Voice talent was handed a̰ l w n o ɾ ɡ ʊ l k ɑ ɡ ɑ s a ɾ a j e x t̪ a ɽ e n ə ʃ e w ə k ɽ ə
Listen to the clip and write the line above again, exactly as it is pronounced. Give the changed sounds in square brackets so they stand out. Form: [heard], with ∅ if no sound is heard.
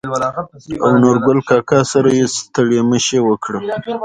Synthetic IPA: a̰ [∅] w n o ɾ ɡ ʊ l k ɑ [k] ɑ s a ɾ a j e [s] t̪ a ɽ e [m] ə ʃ e w ə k ɽ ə